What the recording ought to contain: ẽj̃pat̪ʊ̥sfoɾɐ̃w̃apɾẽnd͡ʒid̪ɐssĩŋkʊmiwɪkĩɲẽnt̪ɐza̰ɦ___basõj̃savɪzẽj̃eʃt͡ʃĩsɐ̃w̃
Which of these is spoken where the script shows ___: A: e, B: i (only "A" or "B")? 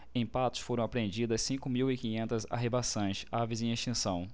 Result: A